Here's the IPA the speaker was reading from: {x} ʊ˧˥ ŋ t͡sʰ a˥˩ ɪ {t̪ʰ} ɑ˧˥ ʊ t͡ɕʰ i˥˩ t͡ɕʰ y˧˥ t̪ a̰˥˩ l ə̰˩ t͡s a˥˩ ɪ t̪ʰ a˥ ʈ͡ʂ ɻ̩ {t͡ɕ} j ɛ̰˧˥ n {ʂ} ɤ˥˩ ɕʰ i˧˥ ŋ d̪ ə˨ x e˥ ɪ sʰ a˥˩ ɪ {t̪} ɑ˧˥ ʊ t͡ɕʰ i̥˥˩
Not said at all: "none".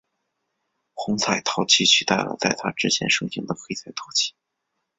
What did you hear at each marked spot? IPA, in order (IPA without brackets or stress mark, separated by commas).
x, t̪ʰ, t͡ɕʰ, ʂ, t̪ʰ